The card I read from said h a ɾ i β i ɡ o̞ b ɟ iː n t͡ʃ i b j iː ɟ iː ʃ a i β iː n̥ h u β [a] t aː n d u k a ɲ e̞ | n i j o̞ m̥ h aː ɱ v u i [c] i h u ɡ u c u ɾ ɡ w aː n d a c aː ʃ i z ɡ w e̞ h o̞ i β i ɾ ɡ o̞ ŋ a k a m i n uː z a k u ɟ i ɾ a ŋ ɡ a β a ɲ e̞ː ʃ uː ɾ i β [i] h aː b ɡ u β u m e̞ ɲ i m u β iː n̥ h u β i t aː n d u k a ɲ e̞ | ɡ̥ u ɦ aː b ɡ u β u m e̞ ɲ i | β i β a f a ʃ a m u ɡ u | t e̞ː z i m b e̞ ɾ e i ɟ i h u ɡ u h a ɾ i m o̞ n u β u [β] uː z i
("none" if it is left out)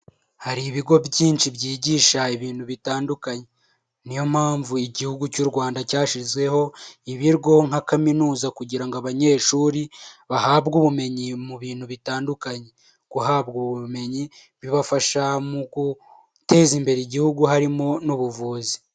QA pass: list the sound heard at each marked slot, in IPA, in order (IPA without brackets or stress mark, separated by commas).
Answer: i, ɟ, a, v